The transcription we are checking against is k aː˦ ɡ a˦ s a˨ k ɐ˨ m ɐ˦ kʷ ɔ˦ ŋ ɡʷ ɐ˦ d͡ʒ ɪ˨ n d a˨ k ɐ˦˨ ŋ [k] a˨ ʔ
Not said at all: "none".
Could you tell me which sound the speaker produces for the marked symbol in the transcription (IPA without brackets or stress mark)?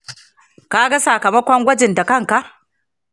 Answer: k